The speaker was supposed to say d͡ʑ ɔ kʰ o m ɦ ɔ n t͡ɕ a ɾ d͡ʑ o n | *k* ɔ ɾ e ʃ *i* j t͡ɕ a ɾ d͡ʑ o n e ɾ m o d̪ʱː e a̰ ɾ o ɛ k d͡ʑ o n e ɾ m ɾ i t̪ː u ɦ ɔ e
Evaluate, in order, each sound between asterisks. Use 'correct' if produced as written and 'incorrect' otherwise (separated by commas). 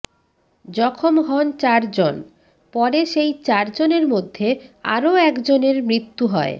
incorrect, incorrect